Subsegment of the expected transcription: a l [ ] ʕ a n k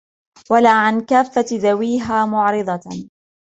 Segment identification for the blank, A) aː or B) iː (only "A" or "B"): A